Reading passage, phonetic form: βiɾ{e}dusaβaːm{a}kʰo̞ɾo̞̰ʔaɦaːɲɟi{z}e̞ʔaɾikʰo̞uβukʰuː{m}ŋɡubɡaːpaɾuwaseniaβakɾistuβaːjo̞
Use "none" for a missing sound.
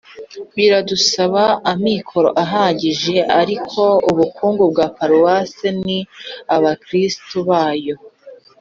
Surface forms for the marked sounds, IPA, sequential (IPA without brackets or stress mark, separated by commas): a, i, ʒ, none